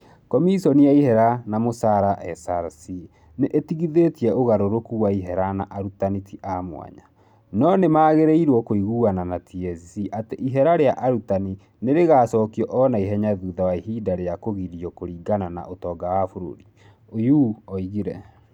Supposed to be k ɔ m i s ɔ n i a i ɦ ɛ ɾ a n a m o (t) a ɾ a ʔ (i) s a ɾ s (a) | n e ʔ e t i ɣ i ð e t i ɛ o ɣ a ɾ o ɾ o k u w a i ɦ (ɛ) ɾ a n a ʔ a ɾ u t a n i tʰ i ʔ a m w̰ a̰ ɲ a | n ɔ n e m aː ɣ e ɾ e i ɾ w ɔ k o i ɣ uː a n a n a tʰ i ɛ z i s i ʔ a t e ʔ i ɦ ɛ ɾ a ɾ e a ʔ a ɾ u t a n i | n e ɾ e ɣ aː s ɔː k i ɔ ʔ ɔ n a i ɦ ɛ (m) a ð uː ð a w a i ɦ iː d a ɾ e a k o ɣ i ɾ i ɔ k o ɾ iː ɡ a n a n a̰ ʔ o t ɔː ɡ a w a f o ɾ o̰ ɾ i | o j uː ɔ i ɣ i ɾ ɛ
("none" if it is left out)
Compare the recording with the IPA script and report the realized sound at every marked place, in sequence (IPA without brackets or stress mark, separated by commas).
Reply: s, ɛ, i, ɛ, ɲ